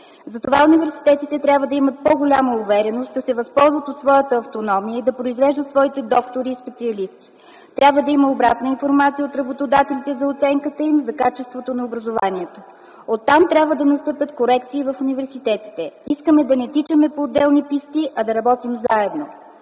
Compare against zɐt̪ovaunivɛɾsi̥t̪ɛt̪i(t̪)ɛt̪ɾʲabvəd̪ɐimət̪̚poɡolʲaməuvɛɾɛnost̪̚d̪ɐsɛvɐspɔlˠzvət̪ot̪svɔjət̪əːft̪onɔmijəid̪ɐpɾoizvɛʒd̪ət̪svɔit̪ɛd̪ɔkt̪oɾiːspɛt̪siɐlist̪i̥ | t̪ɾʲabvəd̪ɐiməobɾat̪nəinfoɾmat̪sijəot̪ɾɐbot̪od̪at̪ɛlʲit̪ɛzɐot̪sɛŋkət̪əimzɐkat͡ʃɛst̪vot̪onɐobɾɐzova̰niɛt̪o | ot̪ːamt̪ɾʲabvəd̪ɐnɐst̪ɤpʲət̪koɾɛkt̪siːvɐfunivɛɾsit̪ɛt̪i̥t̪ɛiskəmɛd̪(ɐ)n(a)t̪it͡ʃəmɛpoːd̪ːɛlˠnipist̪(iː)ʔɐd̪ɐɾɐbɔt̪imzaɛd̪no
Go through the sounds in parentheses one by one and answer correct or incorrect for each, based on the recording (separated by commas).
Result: correct, correct, incorrect, incorrect